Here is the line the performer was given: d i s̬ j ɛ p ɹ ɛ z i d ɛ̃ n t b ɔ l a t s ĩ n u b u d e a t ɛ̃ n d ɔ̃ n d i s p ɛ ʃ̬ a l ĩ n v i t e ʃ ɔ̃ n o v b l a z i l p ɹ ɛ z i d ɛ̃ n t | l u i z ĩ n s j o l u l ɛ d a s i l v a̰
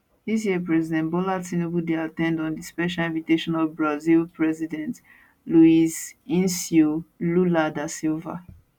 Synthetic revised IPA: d i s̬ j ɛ p ɹ ɛ z i d ɛ̃ n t b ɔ l a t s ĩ n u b u d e a t ɛ̃ n d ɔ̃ n d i s p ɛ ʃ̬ a l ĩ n v i t e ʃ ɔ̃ n ɔ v b ɹ a z i l p ɹ ɛ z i d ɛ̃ n t | l u i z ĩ n s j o l u l a d a s i l v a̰